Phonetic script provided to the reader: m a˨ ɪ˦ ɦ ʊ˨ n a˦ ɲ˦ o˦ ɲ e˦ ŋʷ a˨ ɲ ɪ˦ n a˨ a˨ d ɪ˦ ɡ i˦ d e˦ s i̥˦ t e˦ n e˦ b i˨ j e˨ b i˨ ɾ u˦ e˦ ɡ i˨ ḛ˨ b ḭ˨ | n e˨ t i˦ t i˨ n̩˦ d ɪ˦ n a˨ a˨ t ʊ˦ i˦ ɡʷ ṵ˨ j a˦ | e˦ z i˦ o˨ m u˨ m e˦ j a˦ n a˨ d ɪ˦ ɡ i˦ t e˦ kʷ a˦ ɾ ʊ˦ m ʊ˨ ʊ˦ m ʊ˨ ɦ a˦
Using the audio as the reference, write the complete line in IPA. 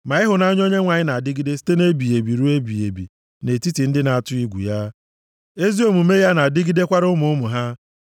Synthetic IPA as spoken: m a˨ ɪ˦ ɦ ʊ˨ n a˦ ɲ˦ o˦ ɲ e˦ ŋʷ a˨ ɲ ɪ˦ n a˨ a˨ d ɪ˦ ɡ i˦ d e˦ s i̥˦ t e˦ n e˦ b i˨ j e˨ b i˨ ɾ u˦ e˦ b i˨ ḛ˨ b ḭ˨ | n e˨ t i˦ t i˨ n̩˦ d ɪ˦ n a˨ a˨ t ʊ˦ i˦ ɡʷ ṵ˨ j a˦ | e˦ z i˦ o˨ m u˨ m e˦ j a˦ n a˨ d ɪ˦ ɡ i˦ d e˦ kʷ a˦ ɾ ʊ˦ m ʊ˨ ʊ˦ m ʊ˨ ɦ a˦